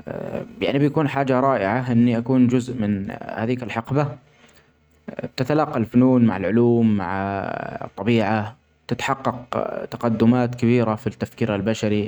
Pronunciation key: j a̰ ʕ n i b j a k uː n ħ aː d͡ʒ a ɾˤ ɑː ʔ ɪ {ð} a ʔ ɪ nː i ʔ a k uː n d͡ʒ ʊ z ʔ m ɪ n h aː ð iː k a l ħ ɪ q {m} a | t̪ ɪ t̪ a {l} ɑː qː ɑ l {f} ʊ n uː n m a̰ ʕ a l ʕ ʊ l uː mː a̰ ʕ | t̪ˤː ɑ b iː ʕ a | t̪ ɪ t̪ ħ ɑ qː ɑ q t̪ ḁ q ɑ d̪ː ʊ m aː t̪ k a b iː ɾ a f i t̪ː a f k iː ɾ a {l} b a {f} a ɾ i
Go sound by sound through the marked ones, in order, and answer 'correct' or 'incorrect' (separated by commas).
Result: incorrect, incorrect, correct, correct, correct, incorrect